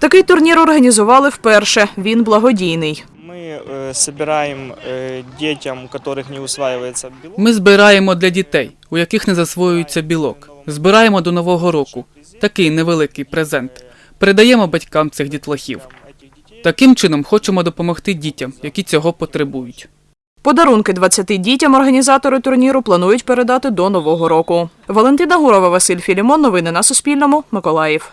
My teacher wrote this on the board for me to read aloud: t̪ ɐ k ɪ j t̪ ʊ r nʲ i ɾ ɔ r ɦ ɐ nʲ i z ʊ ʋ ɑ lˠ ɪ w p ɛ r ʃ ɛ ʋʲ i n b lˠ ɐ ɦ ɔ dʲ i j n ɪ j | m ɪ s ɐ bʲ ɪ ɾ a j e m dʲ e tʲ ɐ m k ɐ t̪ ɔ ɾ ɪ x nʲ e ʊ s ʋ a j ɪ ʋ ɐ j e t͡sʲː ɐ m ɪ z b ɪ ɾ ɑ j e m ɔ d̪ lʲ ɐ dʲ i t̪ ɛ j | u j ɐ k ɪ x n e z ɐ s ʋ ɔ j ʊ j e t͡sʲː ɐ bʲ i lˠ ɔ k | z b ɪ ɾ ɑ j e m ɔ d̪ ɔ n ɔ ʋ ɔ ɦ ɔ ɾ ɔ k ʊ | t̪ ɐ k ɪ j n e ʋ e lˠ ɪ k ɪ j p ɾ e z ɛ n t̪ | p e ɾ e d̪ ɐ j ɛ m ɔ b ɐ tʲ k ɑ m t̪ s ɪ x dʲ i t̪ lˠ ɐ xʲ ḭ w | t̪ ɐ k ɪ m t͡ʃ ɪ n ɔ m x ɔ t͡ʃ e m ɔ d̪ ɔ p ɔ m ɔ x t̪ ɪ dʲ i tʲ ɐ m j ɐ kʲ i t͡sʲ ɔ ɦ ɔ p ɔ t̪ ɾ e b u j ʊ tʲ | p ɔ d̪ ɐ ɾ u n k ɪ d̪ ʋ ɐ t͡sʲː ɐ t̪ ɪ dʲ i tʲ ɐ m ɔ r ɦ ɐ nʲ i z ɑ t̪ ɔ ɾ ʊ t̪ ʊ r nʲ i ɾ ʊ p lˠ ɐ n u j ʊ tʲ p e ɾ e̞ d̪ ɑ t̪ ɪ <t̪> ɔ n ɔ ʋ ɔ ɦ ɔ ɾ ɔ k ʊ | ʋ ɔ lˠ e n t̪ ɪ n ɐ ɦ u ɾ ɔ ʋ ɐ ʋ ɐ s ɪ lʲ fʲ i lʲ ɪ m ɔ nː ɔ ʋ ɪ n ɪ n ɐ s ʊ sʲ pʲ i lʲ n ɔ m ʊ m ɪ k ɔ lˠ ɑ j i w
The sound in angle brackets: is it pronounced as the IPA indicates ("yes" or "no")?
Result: no